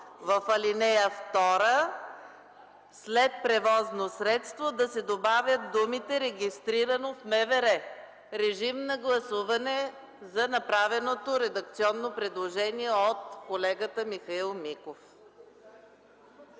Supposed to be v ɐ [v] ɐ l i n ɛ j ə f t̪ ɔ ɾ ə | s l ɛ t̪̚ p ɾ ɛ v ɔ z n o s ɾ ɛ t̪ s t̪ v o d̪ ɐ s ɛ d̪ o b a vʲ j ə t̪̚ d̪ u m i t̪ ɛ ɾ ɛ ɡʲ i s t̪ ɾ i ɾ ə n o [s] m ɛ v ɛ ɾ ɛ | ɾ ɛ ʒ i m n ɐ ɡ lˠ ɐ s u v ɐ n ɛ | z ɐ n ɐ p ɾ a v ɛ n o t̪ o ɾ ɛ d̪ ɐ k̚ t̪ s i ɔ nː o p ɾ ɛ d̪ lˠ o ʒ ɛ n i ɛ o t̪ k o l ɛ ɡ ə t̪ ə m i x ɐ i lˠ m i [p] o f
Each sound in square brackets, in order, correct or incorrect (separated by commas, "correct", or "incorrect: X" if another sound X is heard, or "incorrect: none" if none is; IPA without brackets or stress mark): incorrect: f, incorrect: f, incorrect: k